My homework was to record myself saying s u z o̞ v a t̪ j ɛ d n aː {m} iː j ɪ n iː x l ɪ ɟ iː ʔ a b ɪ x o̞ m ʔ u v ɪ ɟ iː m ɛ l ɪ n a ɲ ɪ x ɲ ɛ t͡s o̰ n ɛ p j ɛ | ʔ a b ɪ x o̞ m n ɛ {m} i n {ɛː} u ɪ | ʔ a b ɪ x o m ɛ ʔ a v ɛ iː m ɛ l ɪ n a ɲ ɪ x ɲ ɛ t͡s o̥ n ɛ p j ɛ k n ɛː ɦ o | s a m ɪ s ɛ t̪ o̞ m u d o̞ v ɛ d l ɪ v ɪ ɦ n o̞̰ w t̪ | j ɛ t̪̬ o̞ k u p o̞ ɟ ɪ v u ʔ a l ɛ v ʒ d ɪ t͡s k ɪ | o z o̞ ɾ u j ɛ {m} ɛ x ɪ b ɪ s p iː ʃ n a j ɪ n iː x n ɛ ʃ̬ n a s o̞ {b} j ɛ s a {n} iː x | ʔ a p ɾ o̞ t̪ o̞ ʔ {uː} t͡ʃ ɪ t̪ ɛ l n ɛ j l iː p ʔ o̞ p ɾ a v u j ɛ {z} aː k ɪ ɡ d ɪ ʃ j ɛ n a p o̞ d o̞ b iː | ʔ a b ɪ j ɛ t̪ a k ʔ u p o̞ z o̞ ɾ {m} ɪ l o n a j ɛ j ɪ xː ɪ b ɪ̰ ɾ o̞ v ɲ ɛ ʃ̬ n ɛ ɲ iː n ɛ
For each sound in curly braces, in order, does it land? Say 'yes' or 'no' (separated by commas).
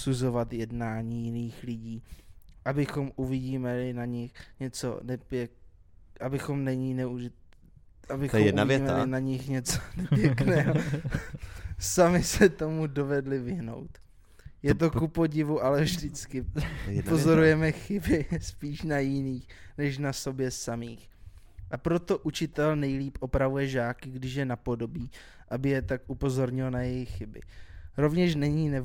no, no, no, yes, yes, no, no, no, no